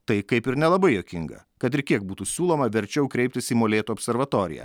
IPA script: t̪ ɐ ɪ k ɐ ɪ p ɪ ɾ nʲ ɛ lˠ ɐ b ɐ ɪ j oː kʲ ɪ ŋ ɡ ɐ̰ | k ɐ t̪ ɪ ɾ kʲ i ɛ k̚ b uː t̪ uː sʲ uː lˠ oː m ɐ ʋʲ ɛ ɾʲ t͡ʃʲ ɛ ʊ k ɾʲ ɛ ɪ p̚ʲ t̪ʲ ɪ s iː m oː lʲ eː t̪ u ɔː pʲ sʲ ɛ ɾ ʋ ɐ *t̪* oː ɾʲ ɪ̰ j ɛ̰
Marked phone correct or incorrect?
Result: correct